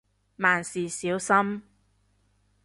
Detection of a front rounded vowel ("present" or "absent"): absent